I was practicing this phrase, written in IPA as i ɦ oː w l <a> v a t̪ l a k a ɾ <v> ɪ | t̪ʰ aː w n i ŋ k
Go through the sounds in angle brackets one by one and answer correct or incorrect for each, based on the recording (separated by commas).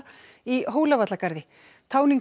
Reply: correct, incorrect